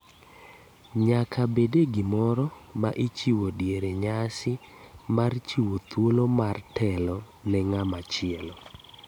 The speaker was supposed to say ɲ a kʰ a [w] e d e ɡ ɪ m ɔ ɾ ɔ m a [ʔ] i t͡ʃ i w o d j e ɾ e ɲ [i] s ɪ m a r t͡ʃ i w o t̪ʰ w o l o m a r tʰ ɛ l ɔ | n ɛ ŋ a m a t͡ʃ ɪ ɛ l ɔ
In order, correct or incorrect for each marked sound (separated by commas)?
incorrect, correct, incorrect